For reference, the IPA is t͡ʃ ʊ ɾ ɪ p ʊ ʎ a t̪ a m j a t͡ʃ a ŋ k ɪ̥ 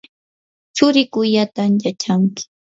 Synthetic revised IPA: t͡ʃ ʊ ɾ ɪ k ʊ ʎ a t̪ a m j a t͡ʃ a ŋ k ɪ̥